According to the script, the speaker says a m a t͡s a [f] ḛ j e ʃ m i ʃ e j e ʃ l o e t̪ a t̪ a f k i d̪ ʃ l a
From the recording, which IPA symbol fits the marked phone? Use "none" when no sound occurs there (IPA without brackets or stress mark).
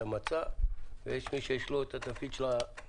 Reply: v